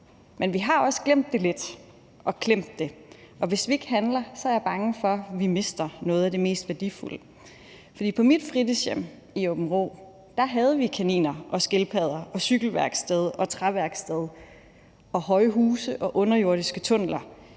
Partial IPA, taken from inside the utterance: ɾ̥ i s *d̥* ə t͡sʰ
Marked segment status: incorrect: ɡ̥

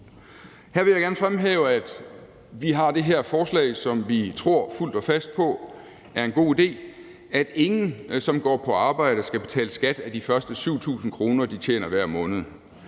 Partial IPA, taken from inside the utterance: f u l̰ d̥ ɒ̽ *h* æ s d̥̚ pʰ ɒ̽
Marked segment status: incorrect: f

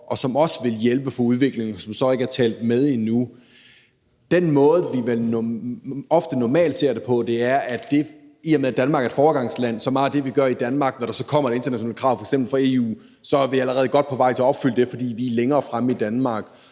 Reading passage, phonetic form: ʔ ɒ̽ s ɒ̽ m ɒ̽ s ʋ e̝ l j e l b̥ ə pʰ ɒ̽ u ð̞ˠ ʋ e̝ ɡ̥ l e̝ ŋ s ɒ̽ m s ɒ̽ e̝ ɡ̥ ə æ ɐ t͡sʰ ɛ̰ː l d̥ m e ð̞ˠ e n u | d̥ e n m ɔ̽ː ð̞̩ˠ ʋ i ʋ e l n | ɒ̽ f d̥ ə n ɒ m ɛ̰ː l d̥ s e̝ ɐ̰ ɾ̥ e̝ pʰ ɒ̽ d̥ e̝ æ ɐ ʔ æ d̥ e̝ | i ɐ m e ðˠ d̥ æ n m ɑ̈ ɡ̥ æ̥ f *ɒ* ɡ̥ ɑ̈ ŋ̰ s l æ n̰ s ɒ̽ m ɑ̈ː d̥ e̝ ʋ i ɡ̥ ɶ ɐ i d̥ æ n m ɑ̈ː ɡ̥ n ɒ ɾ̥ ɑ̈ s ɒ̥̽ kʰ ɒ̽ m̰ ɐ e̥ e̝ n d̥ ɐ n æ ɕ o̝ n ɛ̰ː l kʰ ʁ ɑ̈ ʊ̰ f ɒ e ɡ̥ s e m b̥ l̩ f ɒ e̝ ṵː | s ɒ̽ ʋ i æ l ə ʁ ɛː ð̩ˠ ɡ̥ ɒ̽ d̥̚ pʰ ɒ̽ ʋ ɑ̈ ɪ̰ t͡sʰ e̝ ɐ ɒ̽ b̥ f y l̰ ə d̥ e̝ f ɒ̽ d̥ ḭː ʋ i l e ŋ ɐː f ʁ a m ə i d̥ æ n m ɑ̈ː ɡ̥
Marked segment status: incorrect: ɒː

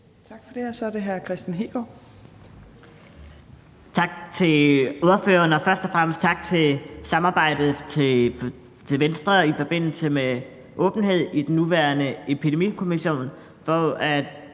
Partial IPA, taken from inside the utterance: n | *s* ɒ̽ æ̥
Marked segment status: incorrect: f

